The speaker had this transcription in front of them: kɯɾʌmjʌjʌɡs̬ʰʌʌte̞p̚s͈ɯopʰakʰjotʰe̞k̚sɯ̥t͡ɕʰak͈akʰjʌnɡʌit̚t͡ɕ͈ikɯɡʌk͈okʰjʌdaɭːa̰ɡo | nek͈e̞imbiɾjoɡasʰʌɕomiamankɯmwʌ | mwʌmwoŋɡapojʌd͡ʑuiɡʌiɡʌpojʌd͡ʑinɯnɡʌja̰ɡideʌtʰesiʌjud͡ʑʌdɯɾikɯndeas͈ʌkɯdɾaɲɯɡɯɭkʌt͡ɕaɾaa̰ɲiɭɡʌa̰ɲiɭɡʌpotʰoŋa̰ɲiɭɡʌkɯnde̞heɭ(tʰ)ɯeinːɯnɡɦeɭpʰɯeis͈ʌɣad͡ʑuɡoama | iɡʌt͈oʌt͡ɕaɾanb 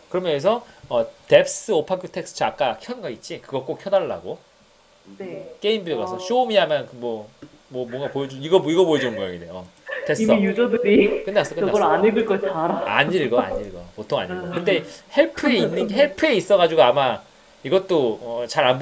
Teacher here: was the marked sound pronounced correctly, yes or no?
no